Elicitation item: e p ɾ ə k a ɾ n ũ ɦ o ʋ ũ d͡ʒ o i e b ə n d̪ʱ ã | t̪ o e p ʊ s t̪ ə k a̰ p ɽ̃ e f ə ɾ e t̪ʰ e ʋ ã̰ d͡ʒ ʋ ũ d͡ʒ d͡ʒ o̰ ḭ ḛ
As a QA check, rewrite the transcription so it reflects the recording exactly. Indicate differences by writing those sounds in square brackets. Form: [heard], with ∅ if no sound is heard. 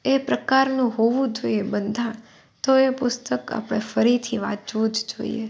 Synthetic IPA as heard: e p ɾ ə k a ɾ n ũ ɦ o ʋ ũ d͡ʒ o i e b ə n d̪ʱ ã | t̪ o e p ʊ s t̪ ə k a̰ p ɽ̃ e f ə ɾ [i] t̪ʰ [i] ʋ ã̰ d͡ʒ ʋ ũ d͡ʒ d͡ʒ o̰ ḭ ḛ